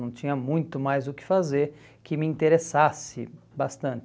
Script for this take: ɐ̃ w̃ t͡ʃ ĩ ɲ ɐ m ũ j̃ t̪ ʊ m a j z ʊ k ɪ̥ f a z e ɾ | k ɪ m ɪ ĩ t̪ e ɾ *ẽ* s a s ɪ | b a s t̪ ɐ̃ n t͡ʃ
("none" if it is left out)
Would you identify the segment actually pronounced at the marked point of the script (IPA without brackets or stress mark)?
e